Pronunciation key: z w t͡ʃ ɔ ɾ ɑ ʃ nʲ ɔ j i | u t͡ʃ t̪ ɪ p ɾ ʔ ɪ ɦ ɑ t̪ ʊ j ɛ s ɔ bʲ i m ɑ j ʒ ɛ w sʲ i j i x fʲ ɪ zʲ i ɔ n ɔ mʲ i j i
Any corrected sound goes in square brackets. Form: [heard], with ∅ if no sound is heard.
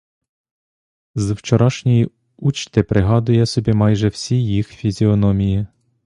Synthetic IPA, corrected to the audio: z w t͡ʃ ɔ ɾ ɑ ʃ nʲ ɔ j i | u t͡ʃ t̪ ɪ p ɾ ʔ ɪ ɦ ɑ [d̪] ʊ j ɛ s ɔ bʲ i m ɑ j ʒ ɛ w sʲ i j i x fʲ [i] zʲ i ɔ n ɔ mʲ i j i

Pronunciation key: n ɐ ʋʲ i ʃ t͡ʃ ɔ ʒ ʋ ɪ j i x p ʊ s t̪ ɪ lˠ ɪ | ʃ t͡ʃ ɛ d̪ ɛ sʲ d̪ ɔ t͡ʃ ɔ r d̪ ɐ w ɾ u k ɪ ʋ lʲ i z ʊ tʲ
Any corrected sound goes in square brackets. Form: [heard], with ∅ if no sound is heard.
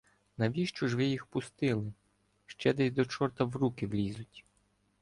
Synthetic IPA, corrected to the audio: n ɐ ʋʲ i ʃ t͡ʃ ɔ ʒ ʋ ɪ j i x p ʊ s t̪ ɪ lˠ ɪ | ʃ t͡ʃ ɛ d̪ ɛ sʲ d̪ ɔ t͡ʃ ɔ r [t̪] ɐ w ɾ u k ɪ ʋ lʲ i z ʊ tʲ

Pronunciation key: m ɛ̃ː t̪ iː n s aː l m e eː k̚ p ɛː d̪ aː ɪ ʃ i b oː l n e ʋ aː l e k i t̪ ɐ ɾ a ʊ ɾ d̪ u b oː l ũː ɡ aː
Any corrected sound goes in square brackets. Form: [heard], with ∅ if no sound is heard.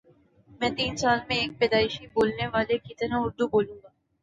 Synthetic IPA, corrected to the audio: m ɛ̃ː t̪ iː n s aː l m [ẽ] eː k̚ p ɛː d̪ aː ɪ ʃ i b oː l n e ʋ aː l e k i t̪ ɐ ɾ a ʊ ɾ d̪ u b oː l ũː ɡ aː

